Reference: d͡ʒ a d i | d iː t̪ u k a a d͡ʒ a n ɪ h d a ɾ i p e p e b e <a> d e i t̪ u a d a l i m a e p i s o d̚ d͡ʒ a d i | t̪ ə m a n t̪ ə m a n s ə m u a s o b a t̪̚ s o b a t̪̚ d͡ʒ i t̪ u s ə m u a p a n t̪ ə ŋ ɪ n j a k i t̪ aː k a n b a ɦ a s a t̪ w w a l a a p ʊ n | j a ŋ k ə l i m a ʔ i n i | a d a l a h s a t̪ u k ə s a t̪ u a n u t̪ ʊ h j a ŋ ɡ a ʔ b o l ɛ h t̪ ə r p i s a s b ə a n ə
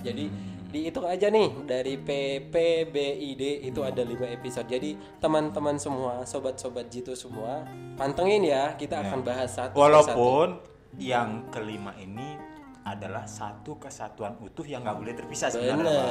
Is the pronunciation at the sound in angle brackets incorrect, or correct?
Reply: incorrect